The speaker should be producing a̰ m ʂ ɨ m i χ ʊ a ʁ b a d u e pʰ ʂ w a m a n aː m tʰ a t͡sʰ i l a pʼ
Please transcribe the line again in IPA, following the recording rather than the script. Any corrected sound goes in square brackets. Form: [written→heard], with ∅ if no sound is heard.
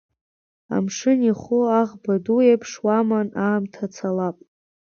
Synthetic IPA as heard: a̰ m ʂ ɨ [m→n] i χ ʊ a ʁ b a d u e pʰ ʂ w a m a n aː m tʰ a t͡sʰ [i→a] l a pʼ